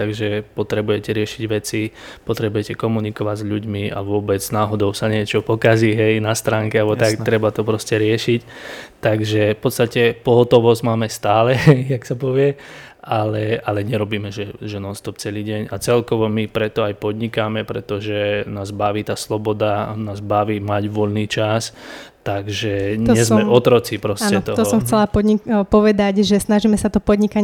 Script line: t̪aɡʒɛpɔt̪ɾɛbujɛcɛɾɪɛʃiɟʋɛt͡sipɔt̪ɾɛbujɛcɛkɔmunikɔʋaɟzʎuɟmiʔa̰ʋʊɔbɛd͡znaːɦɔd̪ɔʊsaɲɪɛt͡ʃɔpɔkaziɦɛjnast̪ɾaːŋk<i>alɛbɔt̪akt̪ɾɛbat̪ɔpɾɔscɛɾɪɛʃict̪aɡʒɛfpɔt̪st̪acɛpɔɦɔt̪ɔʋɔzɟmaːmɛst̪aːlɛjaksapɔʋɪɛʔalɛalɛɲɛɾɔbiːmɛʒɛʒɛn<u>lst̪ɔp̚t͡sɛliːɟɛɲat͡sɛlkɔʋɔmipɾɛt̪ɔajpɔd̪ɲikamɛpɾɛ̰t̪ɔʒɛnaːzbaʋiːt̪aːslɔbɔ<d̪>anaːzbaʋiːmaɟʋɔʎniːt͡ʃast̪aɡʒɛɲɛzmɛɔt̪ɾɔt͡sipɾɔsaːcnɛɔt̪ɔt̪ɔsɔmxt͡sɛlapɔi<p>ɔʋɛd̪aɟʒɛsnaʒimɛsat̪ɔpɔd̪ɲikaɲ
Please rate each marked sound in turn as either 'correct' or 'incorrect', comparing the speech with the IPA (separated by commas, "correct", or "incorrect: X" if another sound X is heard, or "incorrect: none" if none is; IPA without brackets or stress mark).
incorrect: ɛ, incorrect: ɔ, correct, correct